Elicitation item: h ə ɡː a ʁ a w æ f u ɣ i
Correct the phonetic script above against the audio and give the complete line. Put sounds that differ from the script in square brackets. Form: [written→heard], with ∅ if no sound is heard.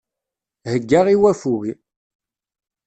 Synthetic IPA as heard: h ə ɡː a ʁ [a→i] w æ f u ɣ i

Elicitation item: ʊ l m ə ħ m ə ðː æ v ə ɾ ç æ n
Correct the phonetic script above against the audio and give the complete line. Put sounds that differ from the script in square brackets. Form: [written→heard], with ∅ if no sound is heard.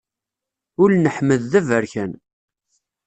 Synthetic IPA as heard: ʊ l [m→n] ə ħ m ə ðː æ v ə ɾ ç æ n

